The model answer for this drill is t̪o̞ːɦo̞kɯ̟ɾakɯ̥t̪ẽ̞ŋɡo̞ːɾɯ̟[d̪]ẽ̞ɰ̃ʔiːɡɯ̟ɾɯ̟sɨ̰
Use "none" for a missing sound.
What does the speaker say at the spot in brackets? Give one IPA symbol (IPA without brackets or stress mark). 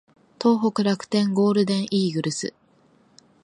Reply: d̪